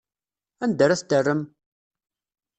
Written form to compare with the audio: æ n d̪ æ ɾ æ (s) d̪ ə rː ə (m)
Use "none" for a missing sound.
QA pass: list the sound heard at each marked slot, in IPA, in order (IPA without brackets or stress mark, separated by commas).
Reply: θ, m